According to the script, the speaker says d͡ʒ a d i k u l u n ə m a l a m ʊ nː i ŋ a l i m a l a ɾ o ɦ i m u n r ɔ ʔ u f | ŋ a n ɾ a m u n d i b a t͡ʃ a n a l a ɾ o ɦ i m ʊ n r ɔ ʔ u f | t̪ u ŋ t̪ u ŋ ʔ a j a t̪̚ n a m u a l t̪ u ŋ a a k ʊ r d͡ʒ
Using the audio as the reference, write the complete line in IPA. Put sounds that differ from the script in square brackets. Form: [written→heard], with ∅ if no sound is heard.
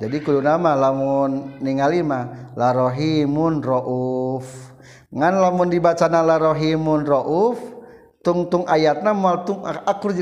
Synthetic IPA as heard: d͡ʒ a d i k u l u n [ə→a] m a l a m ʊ nː i ŋ a l i m a l a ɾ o ɦ i m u n r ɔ ʔ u f | ŋ a n [ɾ→l] a m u n d i b a t͡ʃ a n a l a ɾ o ɦ i m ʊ n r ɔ ʔ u f | t̪ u ŋ t̪ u ŋ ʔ a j a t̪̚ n a m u a l t̪ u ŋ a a k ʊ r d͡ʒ